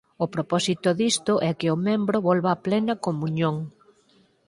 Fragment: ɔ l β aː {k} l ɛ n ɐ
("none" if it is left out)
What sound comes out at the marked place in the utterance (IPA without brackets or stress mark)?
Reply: p